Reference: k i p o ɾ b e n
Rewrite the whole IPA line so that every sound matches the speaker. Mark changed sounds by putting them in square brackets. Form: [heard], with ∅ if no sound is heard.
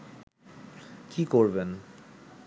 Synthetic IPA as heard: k i [k] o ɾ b e n